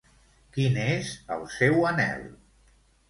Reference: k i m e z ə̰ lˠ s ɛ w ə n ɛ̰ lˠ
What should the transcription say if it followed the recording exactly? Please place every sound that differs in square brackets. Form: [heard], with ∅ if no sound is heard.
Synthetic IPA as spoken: k i [n] e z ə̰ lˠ s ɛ w ə n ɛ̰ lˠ